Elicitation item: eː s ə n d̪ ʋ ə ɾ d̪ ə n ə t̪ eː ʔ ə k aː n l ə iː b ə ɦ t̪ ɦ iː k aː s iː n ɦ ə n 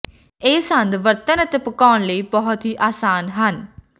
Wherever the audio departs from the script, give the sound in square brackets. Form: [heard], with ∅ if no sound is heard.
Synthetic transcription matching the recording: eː s ə n d̪ ʋ ə ɾ [t̪] ə n ə t̪ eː [p] ə k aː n l ə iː b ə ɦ t̪ ɦ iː [ʔ] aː s [aː] n ɦ ə n